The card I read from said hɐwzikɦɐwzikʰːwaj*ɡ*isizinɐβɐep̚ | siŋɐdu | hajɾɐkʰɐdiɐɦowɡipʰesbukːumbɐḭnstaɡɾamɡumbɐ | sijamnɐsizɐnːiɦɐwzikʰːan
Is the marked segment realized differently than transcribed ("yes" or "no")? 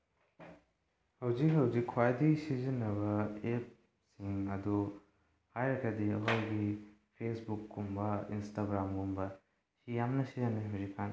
yes